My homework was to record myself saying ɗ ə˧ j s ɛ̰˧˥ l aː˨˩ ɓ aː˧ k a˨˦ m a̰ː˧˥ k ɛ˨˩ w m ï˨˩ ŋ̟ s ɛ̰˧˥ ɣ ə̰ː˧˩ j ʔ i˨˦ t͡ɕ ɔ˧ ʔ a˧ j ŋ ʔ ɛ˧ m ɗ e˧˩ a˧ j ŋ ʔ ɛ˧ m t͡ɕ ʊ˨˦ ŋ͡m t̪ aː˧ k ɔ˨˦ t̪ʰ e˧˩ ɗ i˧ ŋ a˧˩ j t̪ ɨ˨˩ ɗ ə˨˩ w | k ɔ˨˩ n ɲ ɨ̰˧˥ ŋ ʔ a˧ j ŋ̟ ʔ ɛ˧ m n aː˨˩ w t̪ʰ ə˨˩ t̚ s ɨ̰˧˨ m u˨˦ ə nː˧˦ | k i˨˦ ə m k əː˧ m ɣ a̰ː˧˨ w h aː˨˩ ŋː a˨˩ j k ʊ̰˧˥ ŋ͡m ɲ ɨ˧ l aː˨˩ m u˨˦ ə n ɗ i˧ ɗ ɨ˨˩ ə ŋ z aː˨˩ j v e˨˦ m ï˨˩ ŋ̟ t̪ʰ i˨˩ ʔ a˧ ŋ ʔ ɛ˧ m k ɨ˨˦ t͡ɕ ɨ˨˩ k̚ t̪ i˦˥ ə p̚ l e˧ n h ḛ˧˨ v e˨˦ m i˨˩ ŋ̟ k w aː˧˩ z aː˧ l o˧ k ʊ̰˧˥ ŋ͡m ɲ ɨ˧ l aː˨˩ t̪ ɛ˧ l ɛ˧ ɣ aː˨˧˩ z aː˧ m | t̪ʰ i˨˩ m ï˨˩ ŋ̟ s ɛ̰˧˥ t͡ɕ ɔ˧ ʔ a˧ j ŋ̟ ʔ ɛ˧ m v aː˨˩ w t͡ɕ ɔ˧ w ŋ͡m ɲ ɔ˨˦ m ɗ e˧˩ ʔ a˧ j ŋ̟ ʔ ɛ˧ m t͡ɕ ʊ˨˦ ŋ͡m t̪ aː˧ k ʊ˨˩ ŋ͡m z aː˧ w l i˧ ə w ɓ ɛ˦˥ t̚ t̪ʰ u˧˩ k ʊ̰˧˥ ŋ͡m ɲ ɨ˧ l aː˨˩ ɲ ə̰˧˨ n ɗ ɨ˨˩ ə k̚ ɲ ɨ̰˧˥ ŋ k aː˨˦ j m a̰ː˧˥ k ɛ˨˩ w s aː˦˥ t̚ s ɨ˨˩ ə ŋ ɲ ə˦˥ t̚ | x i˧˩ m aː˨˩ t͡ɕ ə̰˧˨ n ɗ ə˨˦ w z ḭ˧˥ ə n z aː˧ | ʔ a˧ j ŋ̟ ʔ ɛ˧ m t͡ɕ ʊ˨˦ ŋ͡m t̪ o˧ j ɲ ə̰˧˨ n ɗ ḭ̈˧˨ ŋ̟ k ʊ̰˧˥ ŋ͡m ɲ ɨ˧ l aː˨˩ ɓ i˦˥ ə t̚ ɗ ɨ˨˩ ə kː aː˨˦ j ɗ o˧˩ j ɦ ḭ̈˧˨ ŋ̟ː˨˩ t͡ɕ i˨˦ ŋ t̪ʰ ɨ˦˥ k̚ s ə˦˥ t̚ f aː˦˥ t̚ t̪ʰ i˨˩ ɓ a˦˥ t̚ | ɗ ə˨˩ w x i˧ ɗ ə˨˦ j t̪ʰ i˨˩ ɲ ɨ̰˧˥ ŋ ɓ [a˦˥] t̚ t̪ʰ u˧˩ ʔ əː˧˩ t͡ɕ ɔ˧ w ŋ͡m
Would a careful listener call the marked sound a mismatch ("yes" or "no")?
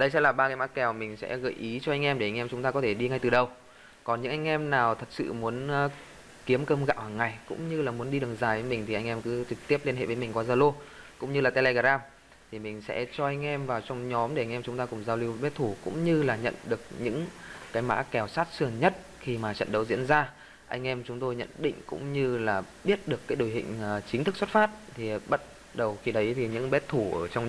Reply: yes